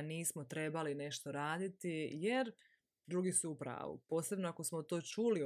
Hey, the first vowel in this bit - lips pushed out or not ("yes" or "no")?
no